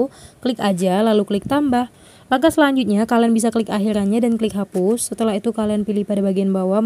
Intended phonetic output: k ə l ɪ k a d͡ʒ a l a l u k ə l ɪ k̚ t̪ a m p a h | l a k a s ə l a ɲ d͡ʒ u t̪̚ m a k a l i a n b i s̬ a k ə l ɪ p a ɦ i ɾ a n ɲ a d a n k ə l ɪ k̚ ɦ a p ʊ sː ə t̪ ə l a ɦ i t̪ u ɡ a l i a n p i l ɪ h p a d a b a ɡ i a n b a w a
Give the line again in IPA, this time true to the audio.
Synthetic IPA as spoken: k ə l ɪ k a d͡ʒ a l a l u k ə l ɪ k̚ t̪ a m b a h | l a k a s ə l a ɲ d͡ʒ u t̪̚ ɲ a k a l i a n b i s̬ a k ə l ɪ k a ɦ i ɾ a n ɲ a d a n k ə l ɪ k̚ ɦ a p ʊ sː ə t̪ ə l a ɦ i t̪ u k a l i a n p i l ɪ h p a d a b a ɡ i a n b a w a